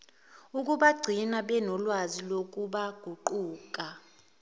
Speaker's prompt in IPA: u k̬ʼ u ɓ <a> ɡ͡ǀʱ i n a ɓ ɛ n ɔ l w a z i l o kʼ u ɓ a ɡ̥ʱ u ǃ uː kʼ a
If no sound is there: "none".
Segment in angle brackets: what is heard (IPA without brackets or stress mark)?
a